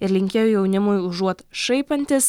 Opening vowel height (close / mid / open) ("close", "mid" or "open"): close